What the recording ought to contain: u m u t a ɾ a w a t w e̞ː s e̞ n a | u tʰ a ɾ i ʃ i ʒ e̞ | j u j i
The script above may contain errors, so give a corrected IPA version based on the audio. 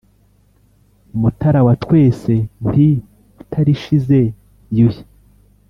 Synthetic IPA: u m u t a ɾ a w a t w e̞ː s e̞ n i | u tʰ a ɾ i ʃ i z e̞ | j u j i